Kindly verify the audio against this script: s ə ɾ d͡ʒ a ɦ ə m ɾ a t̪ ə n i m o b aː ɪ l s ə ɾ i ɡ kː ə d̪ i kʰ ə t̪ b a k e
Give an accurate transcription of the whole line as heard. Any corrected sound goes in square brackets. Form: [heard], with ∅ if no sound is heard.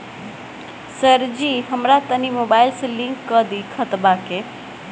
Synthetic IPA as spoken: s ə ɾ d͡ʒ [i] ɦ ə m ɾ a t̪ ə n i m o b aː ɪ l s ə [l] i [ŋ] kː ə d̪ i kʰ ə t̪ b a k e